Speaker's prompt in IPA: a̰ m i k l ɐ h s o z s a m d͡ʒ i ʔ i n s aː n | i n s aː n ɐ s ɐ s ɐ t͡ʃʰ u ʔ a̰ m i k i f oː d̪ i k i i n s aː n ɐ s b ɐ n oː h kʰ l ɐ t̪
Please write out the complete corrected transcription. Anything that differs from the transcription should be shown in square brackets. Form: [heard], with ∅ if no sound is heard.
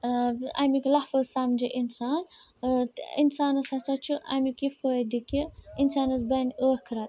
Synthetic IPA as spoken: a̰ m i k l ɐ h [f] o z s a m d͡ʒ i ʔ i n s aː n | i n s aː n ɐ s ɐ s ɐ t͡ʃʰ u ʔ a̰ m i k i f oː d̪ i k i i n s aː n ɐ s b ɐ n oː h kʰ [ɾ] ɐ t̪